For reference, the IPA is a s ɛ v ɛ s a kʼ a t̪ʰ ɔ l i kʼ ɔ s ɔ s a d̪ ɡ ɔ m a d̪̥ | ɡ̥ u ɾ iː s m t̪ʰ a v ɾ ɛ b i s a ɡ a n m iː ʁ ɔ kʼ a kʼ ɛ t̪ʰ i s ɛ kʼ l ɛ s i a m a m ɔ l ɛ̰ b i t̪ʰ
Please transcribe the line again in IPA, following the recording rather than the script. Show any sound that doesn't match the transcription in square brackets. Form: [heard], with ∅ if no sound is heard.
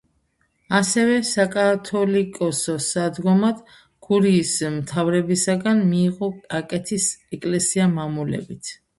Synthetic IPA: a s ɛ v ɛ s a kʼ a t̪ʰ ɔ l i kʼ ɔ s ɔ s a d̪ ɡ ɔ m a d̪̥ | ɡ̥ u ɾ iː s m t̪ʰ a v ɾ ɛ b i s a ɡ a n m iː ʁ ɔ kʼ a kʼ ɛ t̪ʰ i s ɛ kʼ l ɛ s i a m a m [u] l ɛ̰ b i t̪ʰ